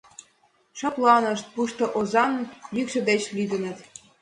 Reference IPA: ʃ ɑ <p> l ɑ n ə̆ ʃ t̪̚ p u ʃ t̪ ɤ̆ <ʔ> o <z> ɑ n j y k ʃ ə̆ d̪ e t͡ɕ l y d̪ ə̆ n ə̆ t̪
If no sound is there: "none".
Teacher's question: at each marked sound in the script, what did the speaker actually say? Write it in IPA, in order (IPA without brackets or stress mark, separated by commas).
p, ʔ, z